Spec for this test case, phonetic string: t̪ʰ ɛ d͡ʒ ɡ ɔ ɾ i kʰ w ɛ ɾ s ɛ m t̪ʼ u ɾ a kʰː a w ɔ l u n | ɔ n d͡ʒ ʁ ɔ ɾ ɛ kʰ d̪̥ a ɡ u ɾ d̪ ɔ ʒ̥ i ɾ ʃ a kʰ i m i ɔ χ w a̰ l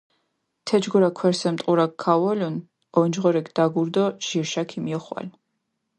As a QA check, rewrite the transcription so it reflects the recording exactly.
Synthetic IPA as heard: t̪ʰ ɛ d͡ʒ ɡ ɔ ɾ a kʰ w ɛ ɾ s ɛ m t̪ʼ u ɾ a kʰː a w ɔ l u n | ɔ n d͡ʒ ʁ ɔ ɾ ɛ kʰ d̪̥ a ɡ u ɾ d̪ ɔ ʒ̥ i ɾ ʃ a kʰ i m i ɔ χ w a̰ l

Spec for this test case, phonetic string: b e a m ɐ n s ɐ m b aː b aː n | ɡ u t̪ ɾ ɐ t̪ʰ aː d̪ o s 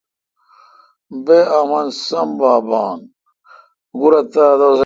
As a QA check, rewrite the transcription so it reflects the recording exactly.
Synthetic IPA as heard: b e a m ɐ n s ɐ m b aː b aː n | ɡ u ɾ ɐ t̪ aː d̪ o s

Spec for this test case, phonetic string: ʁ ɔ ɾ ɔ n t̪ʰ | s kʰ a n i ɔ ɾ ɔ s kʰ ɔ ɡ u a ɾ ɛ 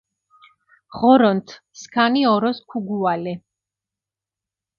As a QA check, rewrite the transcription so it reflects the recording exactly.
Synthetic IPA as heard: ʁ ɔ ɾ ɔ n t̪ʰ | s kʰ a n i ɔ ɾ ɔ s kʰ u ɡ u a l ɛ

